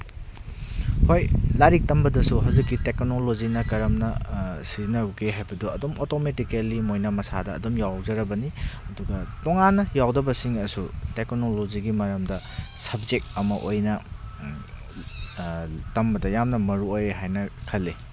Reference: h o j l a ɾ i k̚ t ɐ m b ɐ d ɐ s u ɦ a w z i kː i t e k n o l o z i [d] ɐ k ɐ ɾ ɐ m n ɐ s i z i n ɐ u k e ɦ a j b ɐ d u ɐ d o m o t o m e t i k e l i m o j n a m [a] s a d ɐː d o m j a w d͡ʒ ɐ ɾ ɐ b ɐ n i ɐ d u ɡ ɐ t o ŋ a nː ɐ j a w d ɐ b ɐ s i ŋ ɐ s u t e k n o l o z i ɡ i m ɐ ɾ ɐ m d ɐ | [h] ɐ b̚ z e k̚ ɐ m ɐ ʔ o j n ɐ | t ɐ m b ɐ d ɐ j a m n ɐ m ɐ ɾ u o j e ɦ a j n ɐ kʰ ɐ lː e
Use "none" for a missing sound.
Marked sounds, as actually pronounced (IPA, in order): n, ɐ, s

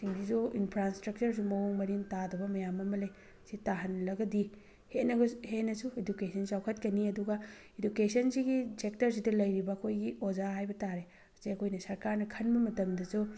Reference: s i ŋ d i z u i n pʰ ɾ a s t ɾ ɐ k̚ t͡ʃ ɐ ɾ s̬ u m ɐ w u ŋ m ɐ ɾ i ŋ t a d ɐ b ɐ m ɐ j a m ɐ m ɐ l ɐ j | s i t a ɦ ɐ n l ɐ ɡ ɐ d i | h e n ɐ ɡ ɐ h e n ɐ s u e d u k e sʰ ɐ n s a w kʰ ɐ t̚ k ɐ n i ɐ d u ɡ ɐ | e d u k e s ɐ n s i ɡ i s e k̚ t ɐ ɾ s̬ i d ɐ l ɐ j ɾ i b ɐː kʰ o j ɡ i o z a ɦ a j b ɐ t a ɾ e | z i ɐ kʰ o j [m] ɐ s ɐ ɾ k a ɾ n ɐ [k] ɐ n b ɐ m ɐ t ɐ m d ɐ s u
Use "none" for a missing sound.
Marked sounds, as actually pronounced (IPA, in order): n, kʰ

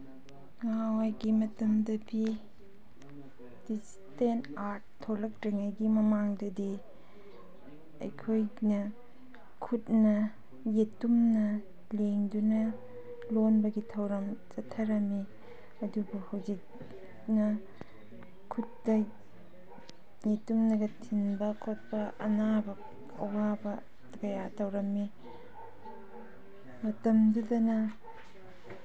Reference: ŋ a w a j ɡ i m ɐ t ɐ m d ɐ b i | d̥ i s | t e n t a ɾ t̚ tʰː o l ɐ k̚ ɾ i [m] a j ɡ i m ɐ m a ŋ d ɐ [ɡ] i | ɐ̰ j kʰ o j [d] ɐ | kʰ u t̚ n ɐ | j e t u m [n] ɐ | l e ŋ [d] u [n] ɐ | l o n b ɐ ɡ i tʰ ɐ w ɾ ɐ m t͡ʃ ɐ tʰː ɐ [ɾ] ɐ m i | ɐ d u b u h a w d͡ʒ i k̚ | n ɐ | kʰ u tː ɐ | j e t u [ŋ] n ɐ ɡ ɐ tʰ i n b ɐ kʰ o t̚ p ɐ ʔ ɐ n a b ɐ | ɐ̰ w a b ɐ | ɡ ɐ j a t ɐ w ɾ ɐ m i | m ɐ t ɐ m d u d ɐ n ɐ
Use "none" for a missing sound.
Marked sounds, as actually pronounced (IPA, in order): ŋ, d, n, n, d, n, ɾ, m

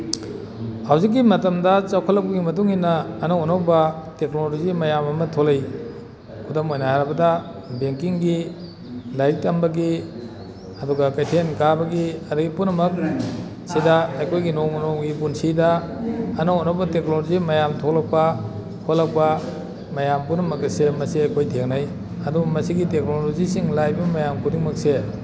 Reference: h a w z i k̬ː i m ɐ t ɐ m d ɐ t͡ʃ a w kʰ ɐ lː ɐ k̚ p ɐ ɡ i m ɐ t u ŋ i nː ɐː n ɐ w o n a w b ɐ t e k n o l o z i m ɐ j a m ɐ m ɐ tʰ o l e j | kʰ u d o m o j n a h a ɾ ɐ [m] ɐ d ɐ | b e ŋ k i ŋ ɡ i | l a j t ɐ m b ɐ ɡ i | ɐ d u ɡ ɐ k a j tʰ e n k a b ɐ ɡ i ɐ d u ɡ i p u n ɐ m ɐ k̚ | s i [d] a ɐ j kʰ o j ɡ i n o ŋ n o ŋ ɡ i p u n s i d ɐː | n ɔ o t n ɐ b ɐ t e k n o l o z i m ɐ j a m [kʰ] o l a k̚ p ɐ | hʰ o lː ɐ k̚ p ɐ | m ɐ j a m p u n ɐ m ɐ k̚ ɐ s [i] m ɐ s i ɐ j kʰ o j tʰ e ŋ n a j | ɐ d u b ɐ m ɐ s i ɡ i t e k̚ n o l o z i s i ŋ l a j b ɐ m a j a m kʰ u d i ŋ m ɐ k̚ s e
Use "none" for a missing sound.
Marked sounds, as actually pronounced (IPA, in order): b, d, tʰ, e

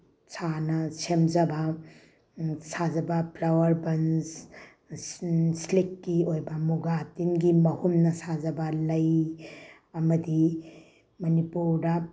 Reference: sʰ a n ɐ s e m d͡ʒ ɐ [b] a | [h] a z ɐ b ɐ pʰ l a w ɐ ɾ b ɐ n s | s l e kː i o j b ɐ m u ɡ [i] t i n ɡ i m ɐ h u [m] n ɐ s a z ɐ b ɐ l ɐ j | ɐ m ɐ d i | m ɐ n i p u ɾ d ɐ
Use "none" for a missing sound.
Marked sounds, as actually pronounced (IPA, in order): b, s, a, m

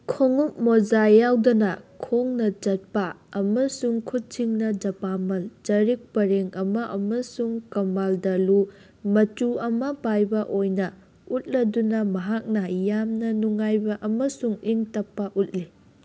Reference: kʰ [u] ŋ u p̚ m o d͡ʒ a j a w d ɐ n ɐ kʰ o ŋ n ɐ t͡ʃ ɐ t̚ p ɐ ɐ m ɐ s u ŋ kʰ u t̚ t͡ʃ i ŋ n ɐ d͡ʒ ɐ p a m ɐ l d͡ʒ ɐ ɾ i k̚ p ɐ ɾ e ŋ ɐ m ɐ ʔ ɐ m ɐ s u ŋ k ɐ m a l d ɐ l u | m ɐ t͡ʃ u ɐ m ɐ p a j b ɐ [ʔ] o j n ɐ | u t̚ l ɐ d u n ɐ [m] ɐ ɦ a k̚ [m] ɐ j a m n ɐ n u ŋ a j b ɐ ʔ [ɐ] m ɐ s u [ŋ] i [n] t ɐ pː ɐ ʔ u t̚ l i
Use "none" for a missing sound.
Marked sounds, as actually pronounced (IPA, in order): o, ʔ, m, n, ɐ, ŋ, ŋ

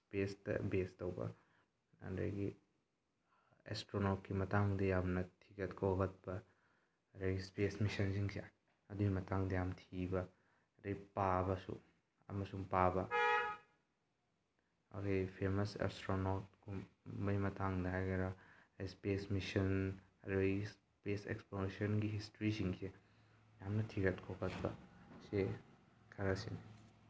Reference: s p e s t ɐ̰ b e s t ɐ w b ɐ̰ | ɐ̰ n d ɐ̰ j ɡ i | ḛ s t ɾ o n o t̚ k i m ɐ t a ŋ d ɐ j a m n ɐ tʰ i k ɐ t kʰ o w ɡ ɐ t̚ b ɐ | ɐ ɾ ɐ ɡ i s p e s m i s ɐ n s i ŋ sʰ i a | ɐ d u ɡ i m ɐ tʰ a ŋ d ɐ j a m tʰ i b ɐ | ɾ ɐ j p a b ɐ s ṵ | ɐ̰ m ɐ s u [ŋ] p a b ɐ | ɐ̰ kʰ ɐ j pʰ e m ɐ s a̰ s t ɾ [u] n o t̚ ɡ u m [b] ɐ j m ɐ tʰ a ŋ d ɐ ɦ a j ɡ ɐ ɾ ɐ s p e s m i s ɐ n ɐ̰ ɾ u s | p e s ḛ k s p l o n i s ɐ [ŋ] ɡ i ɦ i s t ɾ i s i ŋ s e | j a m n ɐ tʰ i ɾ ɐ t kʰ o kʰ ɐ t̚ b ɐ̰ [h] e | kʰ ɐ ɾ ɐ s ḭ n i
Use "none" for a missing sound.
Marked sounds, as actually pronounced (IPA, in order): ŋ, o, b, n, s

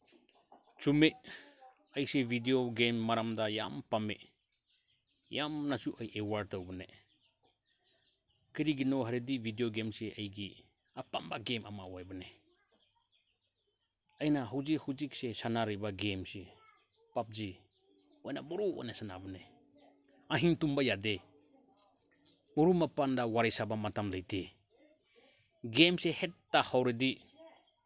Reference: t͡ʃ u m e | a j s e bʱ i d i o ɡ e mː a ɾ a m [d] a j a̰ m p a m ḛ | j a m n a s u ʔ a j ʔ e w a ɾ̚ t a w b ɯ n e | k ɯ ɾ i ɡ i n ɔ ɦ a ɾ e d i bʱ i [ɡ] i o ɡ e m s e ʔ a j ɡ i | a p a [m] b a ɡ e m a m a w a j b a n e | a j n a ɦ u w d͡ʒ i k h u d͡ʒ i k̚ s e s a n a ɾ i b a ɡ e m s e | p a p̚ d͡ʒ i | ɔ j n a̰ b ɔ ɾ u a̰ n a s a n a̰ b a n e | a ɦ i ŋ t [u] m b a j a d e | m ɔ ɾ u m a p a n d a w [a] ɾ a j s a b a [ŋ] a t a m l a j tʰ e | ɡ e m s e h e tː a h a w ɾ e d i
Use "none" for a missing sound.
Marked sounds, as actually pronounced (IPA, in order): d, d, m, u, a, m

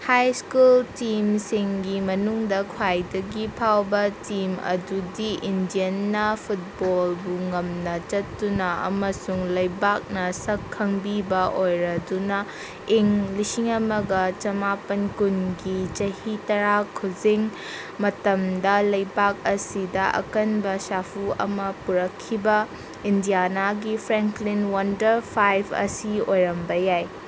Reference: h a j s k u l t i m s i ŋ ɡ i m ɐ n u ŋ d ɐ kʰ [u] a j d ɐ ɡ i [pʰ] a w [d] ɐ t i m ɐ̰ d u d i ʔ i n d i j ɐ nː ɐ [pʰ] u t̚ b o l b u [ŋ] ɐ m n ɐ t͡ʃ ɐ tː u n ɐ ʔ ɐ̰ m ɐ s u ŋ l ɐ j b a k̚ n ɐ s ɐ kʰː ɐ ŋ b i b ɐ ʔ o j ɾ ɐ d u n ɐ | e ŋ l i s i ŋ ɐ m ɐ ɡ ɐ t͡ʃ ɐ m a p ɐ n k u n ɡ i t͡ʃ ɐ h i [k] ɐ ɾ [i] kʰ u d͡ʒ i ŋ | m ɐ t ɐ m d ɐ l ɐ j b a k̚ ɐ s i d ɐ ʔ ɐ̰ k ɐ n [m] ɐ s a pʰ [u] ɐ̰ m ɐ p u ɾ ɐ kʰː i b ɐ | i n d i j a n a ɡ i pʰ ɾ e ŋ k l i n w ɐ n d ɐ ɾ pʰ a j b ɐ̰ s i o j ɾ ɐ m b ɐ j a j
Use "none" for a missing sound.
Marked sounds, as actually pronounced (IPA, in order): w, pʰ, b, pʰ, ŋ, t, a, b, u

